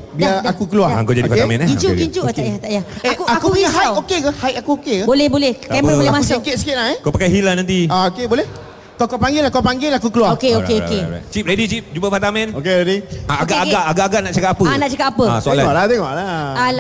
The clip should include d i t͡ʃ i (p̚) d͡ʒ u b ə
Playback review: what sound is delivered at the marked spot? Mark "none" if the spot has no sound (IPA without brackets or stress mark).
p̚